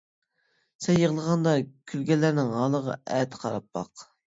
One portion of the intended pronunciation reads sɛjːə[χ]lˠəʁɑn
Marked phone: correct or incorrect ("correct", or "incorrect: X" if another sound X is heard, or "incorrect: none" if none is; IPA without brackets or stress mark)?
incorrect: ʁ